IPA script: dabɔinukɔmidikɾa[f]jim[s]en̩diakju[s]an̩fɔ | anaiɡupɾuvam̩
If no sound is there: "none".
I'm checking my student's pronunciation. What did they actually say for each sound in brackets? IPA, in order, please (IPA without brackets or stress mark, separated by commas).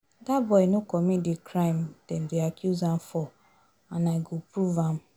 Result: none, t, z